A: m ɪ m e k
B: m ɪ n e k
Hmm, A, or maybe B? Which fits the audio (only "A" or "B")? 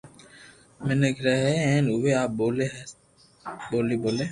B